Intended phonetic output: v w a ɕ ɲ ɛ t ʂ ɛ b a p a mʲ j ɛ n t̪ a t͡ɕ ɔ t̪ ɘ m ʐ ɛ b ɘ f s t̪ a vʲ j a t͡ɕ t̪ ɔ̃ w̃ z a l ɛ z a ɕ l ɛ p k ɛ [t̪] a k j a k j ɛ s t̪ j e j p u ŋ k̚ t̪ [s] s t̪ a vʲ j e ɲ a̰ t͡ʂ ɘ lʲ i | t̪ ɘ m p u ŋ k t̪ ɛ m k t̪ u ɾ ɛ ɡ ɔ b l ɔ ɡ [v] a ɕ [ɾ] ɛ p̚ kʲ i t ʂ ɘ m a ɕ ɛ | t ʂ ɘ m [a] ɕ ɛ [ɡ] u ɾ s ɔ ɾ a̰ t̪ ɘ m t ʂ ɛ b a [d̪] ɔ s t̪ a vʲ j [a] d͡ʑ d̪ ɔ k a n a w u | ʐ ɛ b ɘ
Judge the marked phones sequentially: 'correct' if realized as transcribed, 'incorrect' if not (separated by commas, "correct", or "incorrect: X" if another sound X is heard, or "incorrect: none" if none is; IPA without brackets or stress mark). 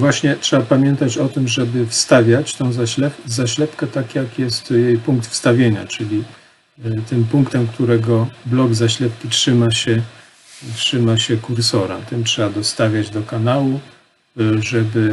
correct, incorrect: f, incorrect: z, incorrect: l, correct, incorrect: k, correct, correct